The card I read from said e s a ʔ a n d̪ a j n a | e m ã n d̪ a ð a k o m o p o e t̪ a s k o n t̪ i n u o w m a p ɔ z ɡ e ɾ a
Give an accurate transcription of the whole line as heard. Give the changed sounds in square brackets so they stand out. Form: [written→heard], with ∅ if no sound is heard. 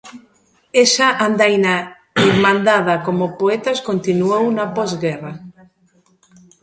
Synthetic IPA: e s a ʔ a n d̪ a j n a | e m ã n d̪ a ð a k o m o p o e t̪ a s k o n t̪ i n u o w [m→n] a p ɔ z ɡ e [ɾ→r] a